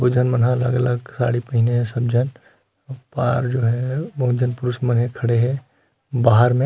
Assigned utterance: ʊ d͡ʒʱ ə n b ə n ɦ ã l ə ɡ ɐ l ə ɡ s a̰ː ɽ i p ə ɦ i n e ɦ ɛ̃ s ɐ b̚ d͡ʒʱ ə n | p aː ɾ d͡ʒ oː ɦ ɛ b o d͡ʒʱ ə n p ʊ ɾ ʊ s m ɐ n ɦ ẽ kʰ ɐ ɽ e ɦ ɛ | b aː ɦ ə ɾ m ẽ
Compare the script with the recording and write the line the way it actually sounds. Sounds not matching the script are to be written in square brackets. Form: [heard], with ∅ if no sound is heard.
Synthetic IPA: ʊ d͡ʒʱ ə n [m] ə n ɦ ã l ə ɡ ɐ l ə ɡ s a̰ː ɽ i p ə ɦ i n e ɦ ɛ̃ s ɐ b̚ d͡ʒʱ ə n | p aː ɾ d͡ʒ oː ɦ ɛ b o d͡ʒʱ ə n p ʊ ɾ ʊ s m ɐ n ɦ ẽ kʰ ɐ ɽ e ɦ ɛ | b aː ɦ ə ɾ m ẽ